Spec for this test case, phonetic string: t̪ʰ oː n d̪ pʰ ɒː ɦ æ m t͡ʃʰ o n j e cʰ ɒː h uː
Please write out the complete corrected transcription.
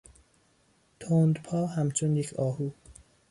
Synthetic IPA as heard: t̪ʰ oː n d̪ pʰ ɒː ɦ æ m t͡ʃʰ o n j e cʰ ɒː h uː